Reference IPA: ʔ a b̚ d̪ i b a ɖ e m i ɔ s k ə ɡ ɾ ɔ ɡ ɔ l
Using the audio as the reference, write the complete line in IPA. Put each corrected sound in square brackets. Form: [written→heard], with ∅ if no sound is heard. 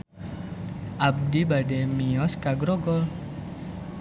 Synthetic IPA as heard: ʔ a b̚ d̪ i b a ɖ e m i ɔ s k [ə→a] ɡ ɾ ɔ ɡ ɔ l